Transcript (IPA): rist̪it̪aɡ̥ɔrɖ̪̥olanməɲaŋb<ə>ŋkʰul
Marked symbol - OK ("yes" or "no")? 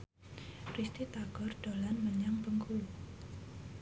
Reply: yes